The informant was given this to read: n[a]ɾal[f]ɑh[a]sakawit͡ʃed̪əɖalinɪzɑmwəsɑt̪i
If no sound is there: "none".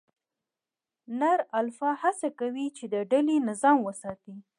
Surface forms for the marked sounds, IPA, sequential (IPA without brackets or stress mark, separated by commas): a, f, a